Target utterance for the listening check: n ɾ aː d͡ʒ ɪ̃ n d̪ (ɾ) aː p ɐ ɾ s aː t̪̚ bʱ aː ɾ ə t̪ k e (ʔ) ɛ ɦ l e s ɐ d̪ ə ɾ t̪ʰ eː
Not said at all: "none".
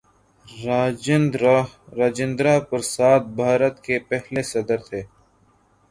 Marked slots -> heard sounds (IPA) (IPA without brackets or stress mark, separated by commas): ɾ, p